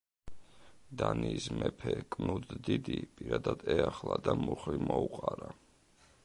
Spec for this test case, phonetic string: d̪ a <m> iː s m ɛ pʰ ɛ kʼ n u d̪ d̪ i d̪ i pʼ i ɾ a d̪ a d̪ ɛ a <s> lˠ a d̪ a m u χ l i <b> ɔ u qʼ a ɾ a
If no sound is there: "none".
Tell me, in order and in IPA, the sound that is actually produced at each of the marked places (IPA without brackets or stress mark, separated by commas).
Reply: n, χ, m